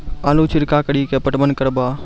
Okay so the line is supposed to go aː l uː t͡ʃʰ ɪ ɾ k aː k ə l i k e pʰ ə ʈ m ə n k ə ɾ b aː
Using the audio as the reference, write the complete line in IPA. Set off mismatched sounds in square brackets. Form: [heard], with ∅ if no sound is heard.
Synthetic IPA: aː l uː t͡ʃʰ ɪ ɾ k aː k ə [ɽ] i k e [p] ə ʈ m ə n k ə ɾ b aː